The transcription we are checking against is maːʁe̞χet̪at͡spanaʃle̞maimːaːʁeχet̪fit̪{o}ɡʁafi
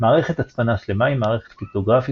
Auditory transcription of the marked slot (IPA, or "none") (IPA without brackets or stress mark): o